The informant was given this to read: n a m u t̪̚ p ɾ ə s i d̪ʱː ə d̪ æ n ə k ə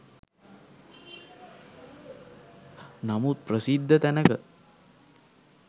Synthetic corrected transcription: n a m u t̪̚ p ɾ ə s i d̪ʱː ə t̪ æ n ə k ə